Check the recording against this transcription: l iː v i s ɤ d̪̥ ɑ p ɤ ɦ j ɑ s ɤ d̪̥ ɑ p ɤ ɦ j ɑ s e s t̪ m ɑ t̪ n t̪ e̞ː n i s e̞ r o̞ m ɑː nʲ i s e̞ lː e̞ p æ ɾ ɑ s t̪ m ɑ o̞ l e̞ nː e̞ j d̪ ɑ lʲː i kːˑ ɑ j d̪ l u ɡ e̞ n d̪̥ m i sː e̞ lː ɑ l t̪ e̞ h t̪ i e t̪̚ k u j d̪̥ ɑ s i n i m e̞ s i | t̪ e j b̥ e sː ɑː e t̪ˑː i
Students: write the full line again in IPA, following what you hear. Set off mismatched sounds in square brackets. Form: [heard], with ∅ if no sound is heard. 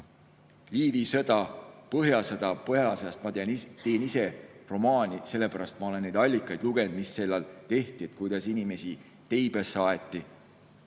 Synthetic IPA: l iː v i s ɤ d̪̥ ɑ p ɤ ɦ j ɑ s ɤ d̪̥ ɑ p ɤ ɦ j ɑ s e s t̪ m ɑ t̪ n t̪ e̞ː n i s e̞ r o̞ m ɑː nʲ i s e̞ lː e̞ p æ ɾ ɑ s t̪ m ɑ o̞ l e̞ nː e̞ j d̪ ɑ lʲː i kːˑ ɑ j d̪ l u ɡ e̞ n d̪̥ m i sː e̞ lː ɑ l t̪ e̞ h t̪ i e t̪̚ k u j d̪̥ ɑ s i n i m e̞ s i | t̪ e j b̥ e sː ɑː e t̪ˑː i